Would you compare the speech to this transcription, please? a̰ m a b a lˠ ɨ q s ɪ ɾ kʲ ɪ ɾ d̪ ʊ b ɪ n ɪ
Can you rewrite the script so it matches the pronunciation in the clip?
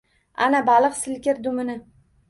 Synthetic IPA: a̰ n a b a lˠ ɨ q s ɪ l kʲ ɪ ɾ d̪ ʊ m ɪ n ɪ